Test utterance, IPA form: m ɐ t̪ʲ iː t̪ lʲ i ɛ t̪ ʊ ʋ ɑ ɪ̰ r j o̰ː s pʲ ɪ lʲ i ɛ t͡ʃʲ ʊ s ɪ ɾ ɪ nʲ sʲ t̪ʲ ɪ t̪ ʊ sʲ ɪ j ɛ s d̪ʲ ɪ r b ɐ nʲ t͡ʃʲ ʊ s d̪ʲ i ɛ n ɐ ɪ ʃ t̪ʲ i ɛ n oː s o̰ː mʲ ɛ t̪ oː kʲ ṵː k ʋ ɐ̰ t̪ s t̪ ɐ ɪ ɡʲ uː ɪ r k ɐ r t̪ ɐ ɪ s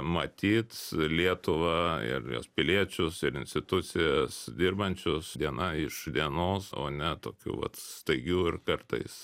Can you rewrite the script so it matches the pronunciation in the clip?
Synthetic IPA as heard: m ɐ t̪ʲ iː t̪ lʲ i ɛ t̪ ʊ ʋ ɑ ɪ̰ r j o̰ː s pʲ ɪ lʲ i ɛ t͡ʃʲ ʊ s ɪ ɾ ɪ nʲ sʲ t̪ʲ ɪ t̪ ʊ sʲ ɪ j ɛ s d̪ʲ ɪ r b ɐ nʲ t͡ʃʲ ʊ s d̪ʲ i ɛ n ɐ ɪ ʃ d̪ʲ i ɛ n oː s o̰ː nʲ ɛ t̪ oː kʲ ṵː ʋ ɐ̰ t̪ s t̪ ɐ ɪ ɡʲ uː ɪ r k ɐ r t̪ ɐ ɪ s